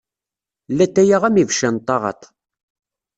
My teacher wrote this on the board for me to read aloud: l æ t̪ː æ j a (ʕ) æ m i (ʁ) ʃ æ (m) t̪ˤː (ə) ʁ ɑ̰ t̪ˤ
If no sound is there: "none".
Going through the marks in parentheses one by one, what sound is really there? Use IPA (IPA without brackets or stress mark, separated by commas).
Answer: ʁ, v, n, ɑ